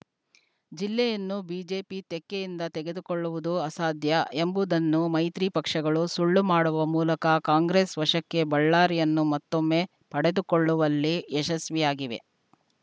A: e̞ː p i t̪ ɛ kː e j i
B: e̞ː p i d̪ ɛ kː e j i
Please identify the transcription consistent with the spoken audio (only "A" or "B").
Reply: A